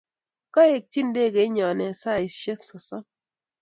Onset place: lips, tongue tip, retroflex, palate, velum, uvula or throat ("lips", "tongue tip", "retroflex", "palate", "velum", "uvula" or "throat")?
velum